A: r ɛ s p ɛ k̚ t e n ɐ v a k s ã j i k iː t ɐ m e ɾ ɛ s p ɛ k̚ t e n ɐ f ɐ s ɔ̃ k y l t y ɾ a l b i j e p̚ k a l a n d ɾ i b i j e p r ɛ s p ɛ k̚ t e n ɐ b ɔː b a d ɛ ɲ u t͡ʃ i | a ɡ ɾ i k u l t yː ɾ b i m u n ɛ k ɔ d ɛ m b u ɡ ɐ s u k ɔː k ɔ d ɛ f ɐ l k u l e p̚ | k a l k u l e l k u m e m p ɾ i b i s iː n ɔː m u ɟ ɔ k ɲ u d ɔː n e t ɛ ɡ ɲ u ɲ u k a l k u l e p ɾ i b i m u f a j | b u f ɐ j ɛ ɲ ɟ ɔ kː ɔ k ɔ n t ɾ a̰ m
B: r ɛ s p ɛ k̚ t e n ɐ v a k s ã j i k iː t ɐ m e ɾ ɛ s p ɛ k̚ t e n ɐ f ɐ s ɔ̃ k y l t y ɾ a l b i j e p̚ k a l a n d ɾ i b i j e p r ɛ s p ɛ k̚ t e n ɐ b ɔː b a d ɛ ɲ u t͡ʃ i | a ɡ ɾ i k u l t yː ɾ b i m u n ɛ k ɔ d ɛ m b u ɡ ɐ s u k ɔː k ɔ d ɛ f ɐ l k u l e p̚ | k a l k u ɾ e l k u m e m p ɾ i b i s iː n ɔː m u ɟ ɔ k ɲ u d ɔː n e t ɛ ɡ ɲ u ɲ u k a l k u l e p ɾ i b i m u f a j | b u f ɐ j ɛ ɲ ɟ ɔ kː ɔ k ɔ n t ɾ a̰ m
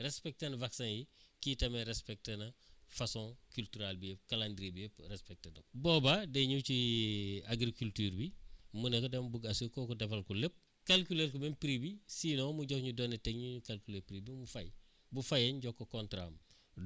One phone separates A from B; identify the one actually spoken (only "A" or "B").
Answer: A